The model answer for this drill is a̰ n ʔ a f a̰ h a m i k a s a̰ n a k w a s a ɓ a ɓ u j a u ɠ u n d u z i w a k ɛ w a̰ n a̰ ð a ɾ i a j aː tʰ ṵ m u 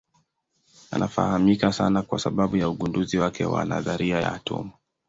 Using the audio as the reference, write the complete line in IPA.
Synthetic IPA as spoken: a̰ n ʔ a f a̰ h a m i k a s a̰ n a k w a s a ɓ a ɓ u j a u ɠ u n d u z i w a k ɛ w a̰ n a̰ ð a ɾ i a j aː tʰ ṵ m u